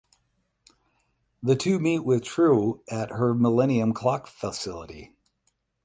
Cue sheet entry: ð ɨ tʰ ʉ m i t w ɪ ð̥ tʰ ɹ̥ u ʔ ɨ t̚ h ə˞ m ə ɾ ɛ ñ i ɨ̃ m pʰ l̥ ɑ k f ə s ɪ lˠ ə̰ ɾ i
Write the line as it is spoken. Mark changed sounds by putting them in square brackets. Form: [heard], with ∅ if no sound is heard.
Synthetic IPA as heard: ð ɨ tʰ ʉ m i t w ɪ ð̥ tʰ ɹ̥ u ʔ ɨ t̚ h ə˞ m ə [l] ɛ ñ i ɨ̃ m [kʰ] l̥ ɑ k f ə s ɪ lˠ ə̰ ɾ i